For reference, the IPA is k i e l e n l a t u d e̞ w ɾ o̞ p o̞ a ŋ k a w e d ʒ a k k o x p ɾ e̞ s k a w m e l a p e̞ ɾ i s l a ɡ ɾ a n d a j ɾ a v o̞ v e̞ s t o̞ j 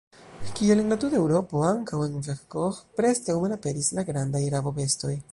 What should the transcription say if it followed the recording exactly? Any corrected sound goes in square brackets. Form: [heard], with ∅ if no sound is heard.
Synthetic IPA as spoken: k i e l e n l a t u d e̞ w ɾ o̞ p o̞ a ŋ k a w e [n] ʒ a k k o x p ɾ e̞ s k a w m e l a p e̞ ɾ i s l a ɡ ɾ a n d a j ɾ a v o̞ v e̞ s t o̞ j